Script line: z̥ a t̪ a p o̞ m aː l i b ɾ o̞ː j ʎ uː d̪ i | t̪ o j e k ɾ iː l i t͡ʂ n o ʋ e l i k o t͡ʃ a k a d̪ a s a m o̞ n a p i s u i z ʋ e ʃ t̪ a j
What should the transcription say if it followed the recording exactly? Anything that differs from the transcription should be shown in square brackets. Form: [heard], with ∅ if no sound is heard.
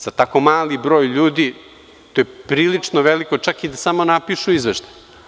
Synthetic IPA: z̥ a t̪ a [k] o̞ m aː l i b ɾ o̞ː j ʎ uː d̪ i | t̪ o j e [p] ɾ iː l i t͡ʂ n o ʋ e l i k o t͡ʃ a k [i] d̪ a s a m o̞ n a p i [ʃ] u i z ʋ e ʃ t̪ a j